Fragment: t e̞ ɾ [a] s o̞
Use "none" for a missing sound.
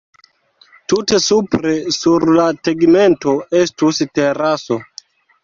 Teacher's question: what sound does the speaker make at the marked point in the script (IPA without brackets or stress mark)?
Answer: a